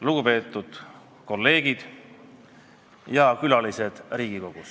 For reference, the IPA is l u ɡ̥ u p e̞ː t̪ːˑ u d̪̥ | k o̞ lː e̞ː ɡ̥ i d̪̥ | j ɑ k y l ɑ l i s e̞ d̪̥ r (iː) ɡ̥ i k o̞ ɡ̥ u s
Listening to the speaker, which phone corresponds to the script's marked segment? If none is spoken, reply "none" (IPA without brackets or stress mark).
iː